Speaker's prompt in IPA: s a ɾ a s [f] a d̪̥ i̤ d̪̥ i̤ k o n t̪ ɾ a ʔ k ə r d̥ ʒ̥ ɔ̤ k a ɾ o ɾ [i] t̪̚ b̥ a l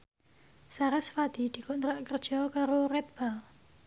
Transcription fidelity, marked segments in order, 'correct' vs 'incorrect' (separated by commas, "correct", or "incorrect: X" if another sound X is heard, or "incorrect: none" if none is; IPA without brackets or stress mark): correct, incorrect: ɛ